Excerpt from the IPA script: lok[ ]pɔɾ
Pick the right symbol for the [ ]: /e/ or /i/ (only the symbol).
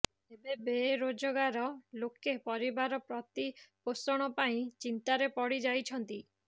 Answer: e